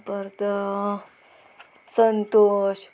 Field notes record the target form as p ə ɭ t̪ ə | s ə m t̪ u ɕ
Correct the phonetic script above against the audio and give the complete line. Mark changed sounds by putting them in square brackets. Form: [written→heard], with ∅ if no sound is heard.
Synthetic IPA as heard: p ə [ɭ→ɾ] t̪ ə | s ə [m→n] t̪ [u→o] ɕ